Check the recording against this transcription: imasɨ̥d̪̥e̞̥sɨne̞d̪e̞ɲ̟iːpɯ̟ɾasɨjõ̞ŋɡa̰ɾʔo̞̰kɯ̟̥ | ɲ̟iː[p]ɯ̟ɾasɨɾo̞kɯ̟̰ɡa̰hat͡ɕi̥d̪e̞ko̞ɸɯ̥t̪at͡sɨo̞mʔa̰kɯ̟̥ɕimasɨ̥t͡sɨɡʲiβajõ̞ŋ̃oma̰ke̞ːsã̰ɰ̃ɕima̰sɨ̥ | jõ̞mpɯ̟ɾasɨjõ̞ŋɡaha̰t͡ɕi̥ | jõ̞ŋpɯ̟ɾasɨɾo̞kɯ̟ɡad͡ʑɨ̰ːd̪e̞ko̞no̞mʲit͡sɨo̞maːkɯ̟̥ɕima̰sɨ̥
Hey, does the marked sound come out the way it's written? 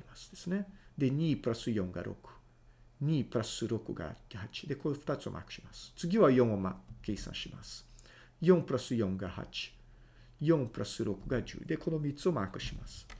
yes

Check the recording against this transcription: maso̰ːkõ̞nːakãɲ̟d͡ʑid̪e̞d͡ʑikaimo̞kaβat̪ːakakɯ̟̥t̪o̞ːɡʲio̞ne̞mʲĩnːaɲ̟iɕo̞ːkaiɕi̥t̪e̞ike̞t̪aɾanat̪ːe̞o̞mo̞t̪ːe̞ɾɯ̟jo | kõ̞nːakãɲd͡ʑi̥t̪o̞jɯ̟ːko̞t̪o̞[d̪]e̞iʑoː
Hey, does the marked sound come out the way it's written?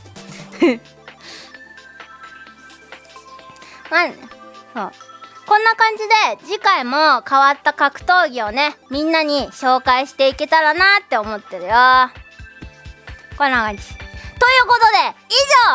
yes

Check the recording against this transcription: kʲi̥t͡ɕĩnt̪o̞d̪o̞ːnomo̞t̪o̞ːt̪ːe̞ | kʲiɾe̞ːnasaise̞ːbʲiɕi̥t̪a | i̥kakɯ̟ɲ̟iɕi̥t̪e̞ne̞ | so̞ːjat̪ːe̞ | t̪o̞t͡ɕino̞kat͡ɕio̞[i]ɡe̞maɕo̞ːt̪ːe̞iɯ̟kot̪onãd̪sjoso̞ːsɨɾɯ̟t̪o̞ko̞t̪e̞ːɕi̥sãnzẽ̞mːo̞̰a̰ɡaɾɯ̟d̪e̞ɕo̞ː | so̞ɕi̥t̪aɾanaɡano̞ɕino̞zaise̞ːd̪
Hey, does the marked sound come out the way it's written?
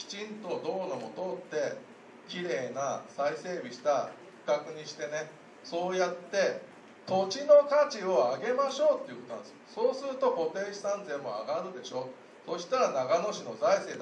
no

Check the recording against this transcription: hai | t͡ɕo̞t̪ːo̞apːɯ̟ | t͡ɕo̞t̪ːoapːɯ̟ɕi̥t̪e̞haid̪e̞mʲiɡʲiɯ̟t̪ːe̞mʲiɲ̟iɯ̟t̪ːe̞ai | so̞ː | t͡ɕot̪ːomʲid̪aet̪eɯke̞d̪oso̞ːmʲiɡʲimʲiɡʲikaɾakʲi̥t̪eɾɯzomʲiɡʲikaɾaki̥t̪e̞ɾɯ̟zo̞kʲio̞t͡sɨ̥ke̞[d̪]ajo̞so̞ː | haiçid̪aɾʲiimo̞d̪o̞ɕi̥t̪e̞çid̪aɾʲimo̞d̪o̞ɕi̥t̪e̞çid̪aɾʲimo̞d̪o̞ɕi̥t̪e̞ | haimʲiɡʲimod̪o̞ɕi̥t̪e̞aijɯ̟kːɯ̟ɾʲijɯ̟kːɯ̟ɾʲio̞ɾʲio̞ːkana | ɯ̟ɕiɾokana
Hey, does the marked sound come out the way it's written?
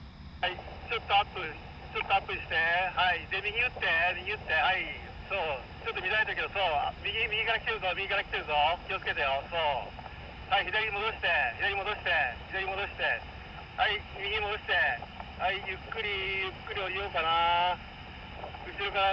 no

